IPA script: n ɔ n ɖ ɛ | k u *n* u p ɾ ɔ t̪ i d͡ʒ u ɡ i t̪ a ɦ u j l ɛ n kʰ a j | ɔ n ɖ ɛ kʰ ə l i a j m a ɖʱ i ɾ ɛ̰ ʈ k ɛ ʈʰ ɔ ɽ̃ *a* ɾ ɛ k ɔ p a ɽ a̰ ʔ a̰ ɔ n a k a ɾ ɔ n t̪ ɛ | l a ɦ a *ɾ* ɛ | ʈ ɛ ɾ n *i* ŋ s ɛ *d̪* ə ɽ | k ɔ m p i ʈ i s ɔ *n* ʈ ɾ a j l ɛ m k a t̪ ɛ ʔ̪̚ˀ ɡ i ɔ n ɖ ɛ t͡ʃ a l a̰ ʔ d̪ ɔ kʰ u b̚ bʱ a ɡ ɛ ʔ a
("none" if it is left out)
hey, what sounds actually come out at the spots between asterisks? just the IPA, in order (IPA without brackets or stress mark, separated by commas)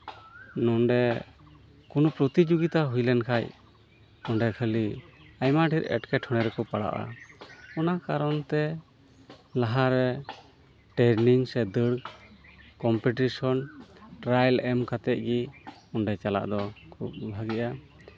n, ɛ, ɾ, i, d̪, n